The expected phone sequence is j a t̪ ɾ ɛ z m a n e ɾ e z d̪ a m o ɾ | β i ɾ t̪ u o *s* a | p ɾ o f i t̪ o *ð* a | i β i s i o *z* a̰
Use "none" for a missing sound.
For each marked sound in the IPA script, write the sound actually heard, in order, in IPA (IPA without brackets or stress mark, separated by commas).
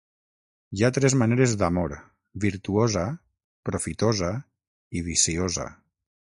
z, z, z